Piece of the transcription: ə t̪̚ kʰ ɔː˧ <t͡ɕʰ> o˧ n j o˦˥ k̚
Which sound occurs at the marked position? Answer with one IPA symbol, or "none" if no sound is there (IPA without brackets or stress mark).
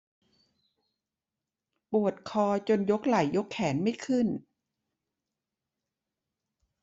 t͡ɕ